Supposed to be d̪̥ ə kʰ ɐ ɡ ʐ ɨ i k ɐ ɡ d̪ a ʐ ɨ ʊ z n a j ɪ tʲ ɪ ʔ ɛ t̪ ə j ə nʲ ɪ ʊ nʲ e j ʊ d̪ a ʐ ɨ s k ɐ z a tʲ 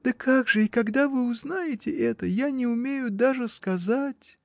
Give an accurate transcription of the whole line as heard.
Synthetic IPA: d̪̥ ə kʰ a ɡ ʐ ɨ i k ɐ ɡ d̪ a v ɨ ʊ z n a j ɪ tʲ ɪ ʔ ɛ t̪ ə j a nʲ ɪ ʊ mʲ e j ʊ d̪ a ʐ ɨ s k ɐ z a tʲ